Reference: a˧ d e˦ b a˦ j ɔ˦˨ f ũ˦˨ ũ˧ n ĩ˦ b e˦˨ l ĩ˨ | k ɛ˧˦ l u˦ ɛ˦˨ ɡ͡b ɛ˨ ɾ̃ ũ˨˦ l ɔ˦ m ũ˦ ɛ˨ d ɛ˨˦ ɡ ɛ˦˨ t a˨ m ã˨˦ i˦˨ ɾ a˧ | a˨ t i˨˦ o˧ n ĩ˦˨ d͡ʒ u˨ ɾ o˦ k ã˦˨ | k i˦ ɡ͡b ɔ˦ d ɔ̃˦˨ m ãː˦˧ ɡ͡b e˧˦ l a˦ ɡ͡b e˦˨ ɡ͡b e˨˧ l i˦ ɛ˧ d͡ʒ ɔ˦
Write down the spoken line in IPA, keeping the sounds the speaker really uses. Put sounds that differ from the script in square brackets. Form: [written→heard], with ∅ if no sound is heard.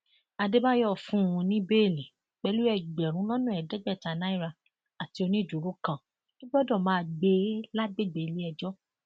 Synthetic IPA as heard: a˧ d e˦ b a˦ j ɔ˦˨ f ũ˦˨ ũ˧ n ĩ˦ b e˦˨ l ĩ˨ | [k→k͡p] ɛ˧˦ l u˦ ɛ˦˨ ɡ͡b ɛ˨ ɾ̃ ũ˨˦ l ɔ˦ [m→n] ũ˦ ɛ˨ d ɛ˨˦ [ɡ→ɡ͡b] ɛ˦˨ t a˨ [m→n] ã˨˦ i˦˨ ɾ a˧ | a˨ t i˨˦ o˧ n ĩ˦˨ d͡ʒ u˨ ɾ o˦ k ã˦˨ | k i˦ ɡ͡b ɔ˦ d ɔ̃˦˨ m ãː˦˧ ɡ͡b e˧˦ l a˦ ɡ͡b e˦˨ ɡ͡b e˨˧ l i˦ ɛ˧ d͡ʒ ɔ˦